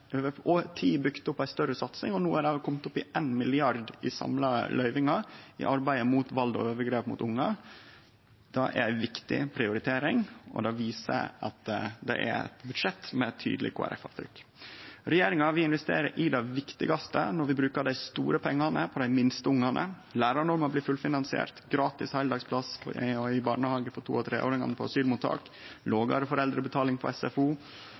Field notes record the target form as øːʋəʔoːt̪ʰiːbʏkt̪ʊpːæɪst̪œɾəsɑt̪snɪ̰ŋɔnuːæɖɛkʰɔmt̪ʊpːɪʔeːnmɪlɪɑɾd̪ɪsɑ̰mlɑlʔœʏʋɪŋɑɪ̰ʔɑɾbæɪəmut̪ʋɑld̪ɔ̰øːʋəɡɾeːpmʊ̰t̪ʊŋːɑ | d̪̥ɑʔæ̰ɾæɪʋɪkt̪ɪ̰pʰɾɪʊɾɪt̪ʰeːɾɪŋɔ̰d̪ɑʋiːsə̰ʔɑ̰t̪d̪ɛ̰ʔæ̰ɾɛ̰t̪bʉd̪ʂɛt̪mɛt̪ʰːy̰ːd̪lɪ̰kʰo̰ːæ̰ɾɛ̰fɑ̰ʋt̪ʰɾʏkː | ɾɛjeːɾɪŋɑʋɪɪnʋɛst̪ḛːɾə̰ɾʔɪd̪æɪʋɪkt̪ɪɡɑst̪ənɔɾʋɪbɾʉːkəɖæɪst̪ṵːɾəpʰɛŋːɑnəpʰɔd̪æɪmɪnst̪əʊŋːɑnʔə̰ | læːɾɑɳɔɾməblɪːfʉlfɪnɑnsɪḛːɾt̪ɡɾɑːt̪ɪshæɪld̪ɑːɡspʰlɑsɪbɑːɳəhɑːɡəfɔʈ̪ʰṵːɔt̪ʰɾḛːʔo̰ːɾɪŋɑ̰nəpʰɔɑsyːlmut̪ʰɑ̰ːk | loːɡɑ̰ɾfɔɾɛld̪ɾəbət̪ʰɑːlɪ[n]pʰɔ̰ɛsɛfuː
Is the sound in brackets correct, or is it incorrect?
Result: incorrect